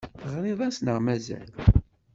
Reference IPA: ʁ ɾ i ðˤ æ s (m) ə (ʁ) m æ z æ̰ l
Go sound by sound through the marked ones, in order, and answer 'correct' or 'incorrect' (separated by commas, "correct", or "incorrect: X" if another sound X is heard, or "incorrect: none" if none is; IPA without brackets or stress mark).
incorrect: n, correct